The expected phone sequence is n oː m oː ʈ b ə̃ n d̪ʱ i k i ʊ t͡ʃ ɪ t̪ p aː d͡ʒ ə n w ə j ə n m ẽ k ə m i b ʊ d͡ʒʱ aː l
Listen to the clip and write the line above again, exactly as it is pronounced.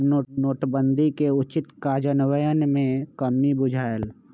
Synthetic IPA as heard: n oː n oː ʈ b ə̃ n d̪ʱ i k e ʊ t͡ʃ ɪ t̪ k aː d͡ʒ ə n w ə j ə n m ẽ k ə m i b ʊ d͡ʒʱ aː l